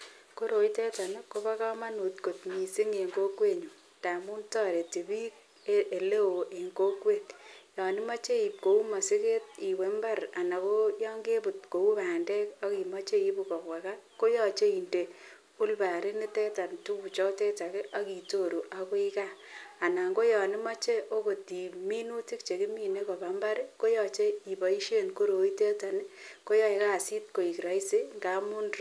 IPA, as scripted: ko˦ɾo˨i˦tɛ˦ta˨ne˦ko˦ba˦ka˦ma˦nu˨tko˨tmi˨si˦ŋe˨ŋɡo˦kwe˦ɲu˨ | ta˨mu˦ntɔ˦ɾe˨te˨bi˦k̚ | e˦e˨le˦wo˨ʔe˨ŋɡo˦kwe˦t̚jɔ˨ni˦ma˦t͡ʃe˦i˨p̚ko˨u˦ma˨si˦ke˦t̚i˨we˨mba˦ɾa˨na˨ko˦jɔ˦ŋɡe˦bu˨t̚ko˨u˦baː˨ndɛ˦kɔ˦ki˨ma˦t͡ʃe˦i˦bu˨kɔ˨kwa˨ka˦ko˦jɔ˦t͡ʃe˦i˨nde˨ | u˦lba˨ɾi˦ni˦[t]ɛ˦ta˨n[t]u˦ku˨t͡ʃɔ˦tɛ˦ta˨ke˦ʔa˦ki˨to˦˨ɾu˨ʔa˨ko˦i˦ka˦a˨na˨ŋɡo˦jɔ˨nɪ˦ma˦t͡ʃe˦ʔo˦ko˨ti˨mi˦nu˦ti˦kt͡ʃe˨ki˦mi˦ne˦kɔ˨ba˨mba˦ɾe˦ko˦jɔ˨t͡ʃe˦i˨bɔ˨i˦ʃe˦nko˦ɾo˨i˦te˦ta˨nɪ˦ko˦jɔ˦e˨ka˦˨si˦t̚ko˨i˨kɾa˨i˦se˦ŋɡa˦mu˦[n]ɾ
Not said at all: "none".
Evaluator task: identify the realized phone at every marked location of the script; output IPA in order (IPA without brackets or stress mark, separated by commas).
t, t, n